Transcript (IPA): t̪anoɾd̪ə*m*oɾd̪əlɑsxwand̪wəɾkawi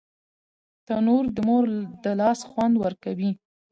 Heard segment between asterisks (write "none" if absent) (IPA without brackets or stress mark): m